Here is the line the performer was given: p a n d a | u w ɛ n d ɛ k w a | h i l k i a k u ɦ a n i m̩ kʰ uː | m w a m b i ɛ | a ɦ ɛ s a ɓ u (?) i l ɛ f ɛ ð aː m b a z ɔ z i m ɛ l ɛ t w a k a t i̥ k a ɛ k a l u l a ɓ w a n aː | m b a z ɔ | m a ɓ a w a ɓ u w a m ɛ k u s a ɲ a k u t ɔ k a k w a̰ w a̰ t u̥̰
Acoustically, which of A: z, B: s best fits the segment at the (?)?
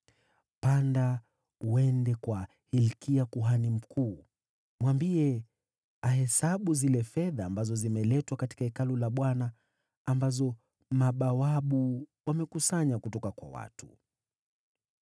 A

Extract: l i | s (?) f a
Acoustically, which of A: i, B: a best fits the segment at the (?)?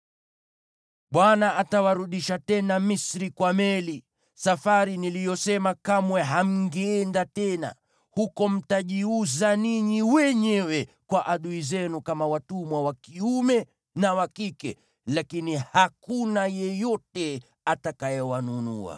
B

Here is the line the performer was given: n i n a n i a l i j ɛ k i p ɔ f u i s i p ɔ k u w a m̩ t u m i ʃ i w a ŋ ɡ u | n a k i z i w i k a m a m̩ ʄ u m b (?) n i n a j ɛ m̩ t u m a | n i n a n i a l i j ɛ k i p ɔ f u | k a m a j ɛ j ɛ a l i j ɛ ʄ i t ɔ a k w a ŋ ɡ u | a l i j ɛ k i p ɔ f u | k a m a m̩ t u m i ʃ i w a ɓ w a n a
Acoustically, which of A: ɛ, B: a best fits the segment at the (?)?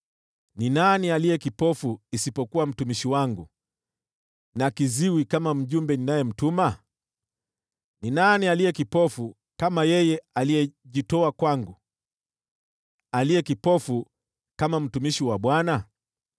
A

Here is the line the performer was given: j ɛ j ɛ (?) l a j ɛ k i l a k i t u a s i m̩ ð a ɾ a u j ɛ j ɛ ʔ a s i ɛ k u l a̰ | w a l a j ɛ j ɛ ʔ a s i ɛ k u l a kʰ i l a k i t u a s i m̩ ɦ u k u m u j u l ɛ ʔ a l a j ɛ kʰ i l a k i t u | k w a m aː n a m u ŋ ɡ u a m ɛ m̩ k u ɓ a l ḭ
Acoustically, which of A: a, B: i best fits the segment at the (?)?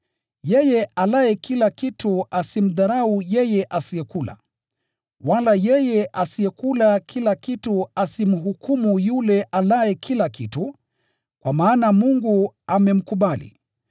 A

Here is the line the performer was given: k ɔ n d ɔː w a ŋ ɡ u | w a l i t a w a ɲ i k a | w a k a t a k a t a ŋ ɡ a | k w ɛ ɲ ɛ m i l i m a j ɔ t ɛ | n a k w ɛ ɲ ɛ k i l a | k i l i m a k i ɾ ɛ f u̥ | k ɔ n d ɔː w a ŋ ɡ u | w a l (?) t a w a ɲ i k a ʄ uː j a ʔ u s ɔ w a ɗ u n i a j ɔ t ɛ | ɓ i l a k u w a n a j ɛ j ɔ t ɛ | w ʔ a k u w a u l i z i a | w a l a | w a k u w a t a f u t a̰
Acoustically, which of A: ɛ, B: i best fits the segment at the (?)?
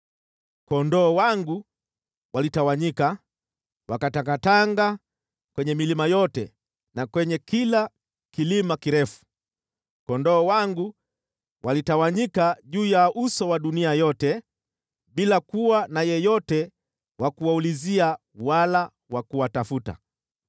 B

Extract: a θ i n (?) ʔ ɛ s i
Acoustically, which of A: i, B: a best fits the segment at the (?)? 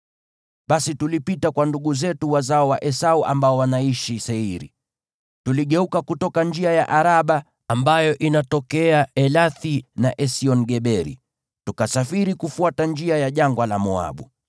B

